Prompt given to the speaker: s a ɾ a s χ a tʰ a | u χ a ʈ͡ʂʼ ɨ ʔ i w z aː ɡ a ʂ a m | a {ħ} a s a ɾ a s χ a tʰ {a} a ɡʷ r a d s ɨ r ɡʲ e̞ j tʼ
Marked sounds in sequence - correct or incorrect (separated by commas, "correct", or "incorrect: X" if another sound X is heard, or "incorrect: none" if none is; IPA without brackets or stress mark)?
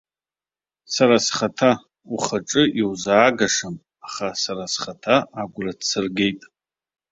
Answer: incorrect: χ, correct